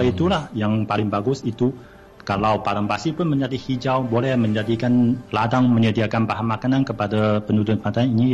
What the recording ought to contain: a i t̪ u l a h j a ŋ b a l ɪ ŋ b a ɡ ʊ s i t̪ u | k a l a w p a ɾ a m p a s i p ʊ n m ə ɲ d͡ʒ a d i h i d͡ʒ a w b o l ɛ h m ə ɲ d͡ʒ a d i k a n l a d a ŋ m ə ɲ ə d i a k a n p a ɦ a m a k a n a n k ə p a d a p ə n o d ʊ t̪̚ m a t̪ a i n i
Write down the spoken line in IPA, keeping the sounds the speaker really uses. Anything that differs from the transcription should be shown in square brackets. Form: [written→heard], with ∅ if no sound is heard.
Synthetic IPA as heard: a i t̪ u l a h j a ŋ [b→p] a l ɪ ŋ b a ɡ ʊ s i t̪ u | k a l a w p a ɾ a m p a s i p ʊ n m ə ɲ d͡ʒ a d i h i d͡ʒ a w b o l ɛ h m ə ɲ d͡ʒ a d i k a n l a d a ŋ m ə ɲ ə d i a k a n p a ɦ a m a k a n a n k ə p a d a p ə n [o→u] d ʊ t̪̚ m a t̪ a i n i